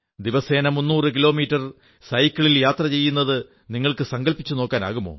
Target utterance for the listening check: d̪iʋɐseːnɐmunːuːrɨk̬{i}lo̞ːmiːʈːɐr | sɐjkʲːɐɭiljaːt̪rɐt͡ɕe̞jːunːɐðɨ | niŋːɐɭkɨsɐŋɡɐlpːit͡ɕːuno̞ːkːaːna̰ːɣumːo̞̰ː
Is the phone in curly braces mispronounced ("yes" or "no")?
no